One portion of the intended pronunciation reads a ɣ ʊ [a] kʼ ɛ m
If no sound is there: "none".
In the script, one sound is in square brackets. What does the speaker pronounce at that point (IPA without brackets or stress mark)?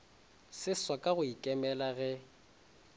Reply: i